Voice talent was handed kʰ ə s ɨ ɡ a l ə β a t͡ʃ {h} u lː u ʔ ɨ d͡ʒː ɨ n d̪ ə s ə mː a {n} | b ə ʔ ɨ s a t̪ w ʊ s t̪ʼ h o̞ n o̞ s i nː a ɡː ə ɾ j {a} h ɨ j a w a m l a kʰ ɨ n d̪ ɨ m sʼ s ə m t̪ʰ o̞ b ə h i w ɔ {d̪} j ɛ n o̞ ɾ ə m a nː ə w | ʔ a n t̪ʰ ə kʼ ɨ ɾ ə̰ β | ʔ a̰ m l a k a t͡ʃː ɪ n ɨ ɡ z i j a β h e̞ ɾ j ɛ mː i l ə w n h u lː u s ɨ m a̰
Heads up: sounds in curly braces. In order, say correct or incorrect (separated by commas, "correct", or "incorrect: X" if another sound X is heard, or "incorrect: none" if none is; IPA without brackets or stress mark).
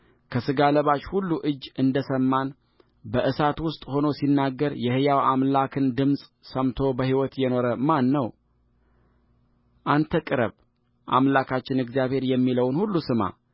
correct, correct, incorrect: ɛ, incorrect: t̪